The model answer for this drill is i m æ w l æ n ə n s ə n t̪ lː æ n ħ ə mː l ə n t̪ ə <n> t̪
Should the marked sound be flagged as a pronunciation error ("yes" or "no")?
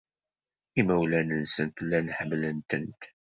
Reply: no